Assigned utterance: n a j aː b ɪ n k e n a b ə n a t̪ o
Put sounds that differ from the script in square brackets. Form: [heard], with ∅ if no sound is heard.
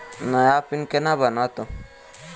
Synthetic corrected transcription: n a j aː [p] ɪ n k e n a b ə n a t̪ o